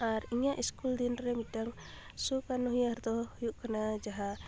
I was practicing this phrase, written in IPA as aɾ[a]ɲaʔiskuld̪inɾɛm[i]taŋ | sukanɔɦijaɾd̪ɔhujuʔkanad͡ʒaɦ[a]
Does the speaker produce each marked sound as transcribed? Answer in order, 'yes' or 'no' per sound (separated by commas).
no, yes, yes